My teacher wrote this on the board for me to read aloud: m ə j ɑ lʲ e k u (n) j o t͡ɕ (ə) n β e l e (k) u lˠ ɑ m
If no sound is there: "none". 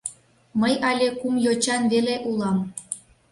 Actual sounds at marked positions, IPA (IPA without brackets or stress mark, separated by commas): m, ɑ, ʔ